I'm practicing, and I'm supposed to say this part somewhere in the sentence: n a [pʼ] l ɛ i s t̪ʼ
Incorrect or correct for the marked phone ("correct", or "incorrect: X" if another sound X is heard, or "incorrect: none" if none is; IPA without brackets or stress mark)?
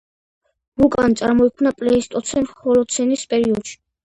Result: correct